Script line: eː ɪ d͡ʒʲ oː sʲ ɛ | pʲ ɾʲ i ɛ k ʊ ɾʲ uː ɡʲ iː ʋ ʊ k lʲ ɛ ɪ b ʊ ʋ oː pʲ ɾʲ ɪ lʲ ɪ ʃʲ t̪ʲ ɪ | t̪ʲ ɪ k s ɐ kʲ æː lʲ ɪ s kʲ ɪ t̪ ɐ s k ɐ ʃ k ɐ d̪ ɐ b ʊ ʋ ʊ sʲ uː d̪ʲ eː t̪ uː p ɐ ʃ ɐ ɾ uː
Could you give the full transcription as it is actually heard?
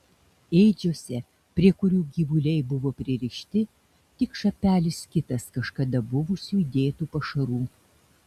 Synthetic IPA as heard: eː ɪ d͡ʒʲ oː sʲ ɛ | pʲ ɾʲ i ɛ k ʊ ɾʲ uː ɡʲ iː ʋ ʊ lʲ ɛ ɪ b ʊ ʋ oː pʲ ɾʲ ɪ ɾʲ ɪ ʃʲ t̪ʲ ɪ | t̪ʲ ɪ k ʃ ɐ pʲ æː lʲ ɪ s kʲ ɪ t̪ ɐ s k ɐ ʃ k ɐ d̪ ɐ b ʊ ʋ ʊ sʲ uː d̪ʲ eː t̪ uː p ɐ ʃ ɐ ɾ uː